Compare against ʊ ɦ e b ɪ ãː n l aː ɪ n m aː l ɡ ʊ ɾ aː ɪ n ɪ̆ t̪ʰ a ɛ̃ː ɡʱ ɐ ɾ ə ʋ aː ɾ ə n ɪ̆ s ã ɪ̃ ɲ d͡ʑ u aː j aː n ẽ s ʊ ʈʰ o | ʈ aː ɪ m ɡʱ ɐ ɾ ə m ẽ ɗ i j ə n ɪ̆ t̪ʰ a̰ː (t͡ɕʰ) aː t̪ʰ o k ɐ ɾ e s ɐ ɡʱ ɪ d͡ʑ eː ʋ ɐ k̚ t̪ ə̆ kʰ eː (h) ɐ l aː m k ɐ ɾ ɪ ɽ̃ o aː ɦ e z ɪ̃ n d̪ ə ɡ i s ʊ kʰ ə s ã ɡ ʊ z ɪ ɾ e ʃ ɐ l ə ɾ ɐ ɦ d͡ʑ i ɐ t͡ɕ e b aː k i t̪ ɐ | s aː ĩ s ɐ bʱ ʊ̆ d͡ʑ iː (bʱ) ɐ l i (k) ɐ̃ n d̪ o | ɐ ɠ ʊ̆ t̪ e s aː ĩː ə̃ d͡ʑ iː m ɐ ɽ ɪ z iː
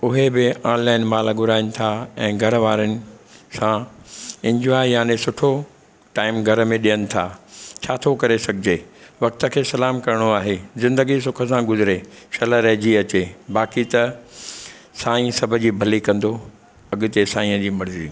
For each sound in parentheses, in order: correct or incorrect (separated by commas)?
correct, incorrect, correct, correct